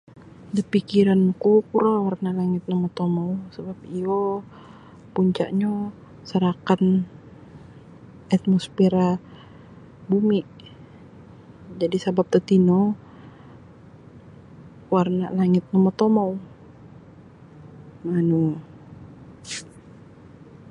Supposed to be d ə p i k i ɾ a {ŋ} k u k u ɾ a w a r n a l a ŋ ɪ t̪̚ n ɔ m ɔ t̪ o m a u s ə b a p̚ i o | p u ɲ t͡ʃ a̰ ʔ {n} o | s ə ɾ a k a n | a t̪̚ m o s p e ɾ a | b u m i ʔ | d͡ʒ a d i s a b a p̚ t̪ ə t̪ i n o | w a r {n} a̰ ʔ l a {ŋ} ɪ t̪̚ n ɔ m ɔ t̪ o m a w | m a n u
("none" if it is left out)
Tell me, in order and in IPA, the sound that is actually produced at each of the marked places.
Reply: n, ɲ, n, ŋ

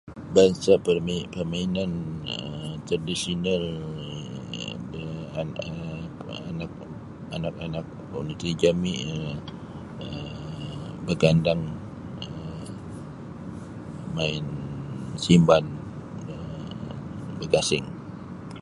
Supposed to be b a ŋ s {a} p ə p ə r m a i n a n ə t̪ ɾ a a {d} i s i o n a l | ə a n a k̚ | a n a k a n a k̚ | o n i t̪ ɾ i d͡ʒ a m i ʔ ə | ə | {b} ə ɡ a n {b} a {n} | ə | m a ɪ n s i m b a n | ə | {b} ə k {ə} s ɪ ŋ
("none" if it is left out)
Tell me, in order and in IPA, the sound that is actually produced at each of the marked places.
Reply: a, d, b, d, ŋ, b, a

